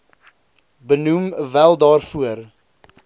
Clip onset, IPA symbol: b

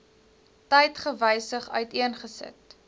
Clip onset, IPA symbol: t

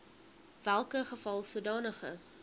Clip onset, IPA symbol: v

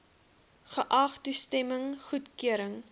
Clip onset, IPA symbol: χ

